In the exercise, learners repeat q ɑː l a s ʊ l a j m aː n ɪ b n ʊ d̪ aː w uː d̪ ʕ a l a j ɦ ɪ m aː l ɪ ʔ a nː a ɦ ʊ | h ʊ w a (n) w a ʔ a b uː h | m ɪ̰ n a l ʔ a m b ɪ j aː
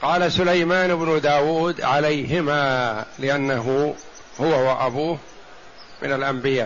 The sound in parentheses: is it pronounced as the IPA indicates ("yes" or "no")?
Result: no